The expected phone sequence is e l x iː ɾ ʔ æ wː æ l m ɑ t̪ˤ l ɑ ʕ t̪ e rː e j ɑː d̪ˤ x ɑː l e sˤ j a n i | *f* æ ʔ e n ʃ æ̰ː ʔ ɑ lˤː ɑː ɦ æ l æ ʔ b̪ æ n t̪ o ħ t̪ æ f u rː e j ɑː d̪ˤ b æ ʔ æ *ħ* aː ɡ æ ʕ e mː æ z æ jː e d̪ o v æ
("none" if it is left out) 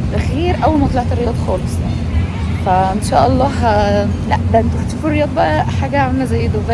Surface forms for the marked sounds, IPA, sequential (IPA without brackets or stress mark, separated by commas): f, ħ